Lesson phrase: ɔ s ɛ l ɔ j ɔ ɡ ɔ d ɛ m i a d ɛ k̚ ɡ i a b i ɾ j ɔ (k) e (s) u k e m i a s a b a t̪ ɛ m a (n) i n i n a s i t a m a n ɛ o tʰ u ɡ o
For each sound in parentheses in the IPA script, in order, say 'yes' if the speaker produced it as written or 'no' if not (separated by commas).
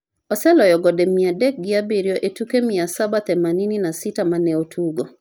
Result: no, no, yes